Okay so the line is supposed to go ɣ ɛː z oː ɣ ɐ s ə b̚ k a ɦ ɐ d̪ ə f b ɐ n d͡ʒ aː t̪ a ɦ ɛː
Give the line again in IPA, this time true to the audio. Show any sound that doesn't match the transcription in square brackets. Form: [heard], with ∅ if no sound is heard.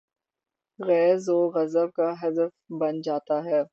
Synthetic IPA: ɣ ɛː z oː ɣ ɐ [z] ə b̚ k a ɦ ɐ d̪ ə f b ɐ n d͡ʒ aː t̪ a ɦ ɛː